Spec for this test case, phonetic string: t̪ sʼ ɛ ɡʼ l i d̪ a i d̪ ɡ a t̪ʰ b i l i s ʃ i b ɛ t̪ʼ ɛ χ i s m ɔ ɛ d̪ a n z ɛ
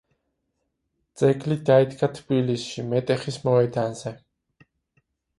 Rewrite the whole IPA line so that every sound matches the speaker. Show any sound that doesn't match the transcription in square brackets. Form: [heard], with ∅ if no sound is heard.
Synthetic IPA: t̪ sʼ ɛ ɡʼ l i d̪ a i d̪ ɡ a t̪ʰ b i l i s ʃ i [m] ɛ t̪ʼ ɛ χ i s m ɔ ɛ d̪ a n z ɛ